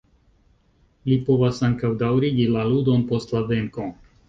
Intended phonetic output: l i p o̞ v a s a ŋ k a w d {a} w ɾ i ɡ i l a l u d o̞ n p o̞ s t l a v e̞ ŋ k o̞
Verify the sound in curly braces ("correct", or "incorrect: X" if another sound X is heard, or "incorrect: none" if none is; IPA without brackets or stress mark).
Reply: correct